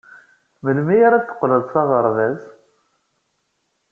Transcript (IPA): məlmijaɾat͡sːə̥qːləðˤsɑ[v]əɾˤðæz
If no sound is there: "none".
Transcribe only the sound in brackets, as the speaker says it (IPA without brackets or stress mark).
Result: ʁ